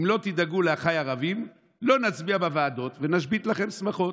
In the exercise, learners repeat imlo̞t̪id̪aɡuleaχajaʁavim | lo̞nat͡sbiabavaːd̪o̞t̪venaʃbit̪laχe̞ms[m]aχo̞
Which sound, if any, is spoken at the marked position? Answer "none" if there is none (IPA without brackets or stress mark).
m